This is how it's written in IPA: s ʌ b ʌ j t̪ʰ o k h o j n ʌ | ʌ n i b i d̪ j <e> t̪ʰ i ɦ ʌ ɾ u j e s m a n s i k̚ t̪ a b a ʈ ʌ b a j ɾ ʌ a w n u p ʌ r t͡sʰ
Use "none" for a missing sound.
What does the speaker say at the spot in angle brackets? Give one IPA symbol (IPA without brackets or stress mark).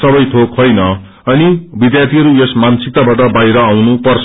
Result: a